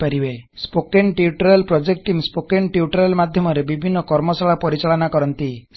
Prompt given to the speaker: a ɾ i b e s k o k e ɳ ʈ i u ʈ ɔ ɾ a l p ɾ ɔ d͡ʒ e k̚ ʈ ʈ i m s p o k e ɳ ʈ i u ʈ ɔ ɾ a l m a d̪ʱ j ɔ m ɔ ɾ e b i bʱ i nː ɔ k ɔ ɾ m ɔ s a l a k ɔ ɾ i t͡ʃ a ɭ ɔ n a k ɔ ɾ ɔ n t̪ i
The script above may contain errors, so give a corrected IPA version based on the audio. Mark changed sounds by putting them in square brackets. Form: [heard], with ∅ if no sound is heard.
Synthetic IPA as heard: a ɾ i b e s [p] o k e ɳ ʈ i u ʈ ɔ ɾ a l p ɾ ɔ d͡ʒ e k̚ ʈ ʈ i m s p o k e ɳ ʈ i u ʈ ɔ ɾ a l m a d̪ʱ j ɔ m ɔ ɾ e b i bʱ i nː ɔ k ɔ ɾ m ɔ s a [ɭ] a [p] ɔ ɾ i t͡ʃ a ɭ ɔ n a k ɔ ɾ ɔ n t̪ i